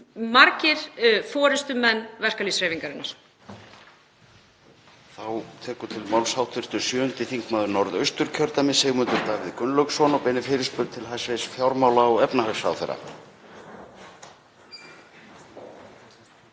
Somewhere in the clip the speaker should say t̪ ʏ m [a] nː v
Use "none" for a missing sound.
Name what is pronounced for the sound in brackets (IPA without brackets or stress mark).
ɛ